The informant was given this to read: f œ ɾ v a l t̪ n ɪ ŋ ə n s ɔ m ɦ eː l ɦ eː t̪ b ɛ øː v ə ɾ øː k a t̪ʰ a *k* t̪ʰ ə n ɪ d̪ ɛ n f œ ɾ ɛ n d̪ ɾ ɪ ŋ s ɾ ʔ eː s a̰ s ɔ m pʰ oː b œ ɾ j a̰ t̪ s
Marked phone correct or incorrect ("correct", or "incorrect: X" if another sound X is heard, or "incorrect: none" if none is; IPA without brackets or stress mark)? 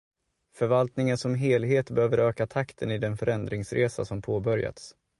correct